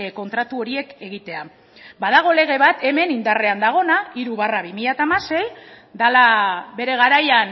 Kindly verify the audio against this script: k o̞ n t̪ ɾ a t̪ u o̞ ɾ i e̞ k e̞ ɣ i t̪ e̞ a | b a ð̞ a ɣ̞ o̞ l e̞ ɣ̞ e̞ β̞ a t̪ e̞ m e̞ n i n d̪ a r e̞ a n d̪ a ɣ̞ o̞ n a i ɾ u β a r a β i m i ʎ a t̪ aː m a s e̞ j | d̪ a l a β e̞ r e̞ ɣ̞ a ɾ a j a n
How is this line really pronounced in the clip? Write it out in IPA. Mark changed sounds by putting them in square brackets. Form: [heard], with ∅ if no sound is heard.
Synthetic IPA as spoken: k o̞ n t̪ ɾ a t̪ u o̞ ɾ i e̞ k e̞ ɣ i t̪ e̞ a | b a ð̞ a ɣ̞ o̞ l e̞ ɣ̞ e̞ β̞ a t̪ e̞ m e̞ n i n d̪ a r e̞ a n d̪ a ɣ̞ o̞ n a i ɾ u β a r a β i m i ʎ a t̪ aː m a s e̞ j | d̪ a l a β e̞ [ɾ] e̞ ɣ̞ a ɾ a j a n